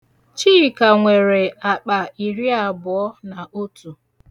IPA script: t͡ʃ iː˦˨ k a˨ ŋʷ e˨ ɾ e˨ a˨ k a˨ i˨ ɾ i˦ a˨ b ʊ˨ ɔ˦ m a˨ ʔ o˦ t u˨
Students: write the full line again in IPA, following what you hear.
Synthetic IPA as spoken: t͡ʃ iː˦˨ k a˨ ŋʷ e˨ ɾ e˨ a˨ k͡p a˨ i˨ ɾ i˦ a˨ b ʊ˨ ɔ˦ n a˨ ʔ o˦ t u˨